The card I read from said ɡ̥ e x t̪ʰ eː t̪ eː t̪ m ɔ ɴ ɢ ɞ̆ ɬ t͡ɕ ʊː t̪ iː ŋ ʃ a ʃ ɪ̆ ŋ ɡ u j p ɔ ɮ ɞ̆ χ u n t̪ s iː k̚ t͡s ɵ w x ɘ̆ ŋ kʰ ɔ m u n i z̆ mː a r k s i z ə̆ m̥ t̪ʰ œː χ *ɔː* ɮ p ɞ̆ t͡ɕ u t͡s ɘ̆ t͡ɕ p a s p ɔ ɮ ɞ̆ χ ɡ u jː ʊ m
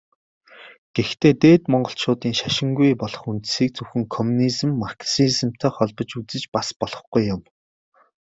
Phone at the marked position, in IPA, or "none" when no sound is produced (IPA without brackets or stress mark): ɔ